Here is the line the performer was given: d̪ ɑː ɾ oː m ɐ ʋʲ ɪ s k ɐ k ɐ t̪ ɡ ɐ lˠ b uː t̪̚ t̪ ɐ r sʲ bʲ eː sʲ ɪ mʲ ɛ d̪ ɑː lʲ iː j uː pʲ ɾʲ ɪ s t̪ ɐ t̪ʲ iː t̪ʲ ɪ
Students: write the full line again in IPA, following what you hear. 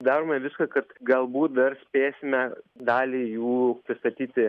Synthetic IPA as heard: d̪ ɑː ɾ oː m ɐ ʋʲ ɪ s k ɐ k ɐ t̪ ɡ ɐ lˠ b uː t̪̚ d̪ ɐ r sʲ pʲ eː sʲ ɪ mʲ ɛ d̪ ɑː lʲ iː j uː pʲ ɾʲ ɪ s t̪ ɐ t̪ʲ iː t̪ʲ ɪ

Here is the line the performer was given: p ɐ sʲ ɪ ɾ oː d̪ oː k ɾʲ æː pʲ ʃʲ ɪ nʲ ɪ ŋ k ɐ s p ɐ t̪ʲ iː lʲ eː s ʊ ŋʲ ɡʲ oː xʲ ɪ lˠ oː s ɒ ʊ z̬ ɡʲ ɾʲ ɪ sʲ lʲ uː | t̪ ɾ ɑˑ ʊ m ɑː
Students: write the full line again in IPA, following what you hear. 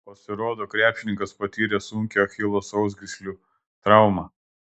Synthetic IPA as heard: p ɐ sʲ ɪ ɾ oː d̪ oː k ɾʲ æː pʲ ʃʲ ɪ nʲ ɪ ŋ k ɐ s p ɐ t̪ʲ iː ɾʲ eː s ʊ ŋʲ kʲ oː xʲ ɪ lˠ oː s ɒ ʊ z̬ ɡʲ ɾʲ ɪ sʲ lʲ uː | t̪ ɾ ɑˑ ʊ m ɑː

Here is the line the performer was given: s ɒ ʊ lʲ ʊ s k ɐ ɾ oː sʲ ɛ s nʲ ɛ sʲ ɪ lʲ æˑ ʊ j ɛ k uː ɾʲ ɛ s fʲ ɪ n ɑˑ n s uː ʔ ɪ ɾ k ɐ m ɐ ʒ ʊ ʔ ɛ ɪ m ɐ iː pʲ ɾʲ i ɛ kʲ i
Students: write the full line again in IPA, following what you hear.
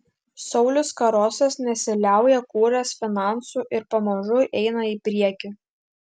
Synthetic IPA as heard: s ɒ ʊ lʲ ʊ s k ɐ ɾ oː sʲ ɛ s nʲ ɛ sʲ ɪ lʲ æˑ ʊ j ɛ k uː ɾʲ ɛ s fʲ ɪ n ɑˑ n s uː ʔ ɪ ɾ p ɐ m ɐ ʒ ʊ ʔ ɛ ɪ n ɐ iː pʲ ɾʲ i ɛ kʲ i

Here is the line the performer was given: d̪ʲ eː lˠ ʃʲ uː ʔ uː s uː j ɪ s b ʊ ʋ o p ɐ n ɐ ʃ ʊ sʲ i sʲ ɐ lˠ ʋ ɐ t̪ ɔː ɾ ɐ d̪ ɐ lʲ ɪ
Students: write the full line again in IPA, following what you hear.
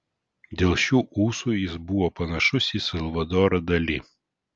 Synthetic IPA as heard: d̪ʲ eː lˠ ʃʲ uː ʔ uː s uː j ɪ s b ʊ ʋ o p ɐ n ɐ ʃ ʊ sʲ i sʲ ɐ lˠ ʋ ɐ d̪ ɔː ɾ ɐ d̪ ɐ lʲ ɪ

